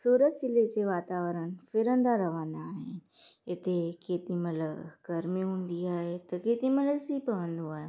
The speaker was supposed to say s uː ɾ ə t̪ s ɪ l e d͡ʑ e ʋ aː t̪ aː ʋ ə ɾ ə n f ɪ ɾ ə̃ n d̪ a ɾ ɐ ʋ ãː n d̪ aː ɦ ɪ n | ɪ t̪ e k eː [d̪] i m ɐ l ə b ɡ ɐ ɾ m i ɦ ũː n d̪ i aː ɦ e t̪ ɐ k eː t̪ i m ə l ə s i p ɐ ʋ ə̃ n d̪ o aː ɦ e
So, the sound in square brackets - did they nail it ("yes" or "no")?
no